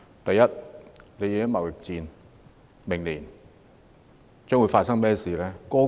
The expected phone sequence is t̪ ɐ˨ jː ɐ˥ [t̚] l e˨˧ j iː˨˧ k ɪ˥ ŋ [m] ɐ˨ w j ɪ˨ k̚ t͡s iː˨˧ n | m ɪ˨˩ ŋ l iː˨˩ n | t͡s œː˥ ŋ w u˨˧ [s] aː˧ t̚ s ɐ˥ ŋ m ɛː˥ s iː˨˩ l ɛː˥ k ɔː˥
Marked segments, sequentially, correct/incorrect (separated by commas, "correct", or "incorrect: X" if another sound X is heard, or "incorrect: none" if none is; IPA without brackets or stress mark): correct, correct, incorrect: f